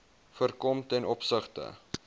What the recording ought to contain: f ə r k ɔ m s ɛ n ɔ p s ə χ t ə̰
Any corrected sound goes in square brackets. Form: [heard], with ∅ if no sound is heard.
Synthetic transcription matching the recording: f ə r k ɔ m [t] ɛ n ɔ p s ə χ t ə̰